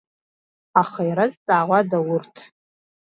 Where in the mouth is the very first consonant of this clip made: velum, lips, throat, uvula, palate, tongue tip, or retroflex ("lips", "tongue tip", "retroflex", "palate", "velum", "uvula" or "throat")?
uvula